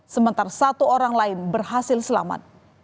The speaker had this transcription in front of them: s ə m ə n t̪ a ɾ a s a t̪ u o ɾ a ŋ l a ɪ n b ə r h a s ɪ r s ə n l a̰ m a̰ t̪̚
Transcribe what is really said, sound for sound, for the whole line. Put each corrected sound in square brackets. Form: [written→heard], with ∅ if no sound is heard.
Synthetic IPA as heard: s ə m ə n t̪ a ɾ a s a t̪ u o ɾ a ŋ l a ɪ n b ə r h a s ɪ [r→l] s ə [n→∅] l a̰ m a̰ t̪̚